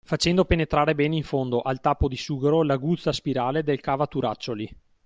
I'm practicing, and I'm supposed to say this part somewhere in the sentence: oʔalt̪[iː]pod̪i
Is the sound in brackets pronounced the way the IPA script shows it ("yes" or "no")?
no